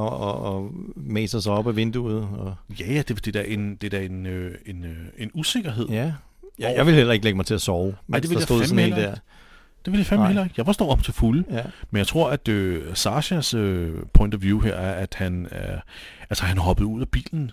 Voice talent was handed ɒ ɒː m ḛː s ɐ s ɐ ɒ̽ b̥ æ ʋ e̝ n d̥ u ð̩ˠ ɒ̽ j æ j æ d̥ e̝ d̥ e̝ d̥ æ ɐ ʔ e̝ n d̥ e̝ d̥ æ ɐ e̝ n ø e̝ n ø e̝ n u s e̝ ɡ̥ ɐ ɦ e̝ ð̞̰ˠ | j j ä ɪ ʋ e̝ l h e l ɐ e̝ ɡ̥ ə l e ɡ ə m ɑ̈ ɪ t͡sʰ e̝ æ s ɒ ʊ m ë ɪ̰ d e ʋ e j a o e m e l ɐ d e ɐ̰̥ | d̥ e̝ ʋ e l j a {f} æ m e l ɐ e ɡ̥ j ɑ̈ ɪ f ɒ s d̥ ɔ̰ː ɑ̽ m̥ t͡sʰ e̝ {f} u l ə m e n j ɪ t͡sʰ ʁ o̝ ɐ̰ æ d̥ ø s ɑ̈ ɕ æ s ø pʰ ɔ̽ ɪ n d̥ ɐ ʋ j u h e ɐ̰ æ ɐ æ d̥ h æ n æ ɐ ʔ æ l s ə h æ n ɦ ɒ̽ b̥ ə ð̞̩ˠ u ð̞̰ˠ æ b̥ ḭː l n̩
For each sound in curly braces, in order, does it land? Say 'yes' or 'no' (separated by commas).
yes, yes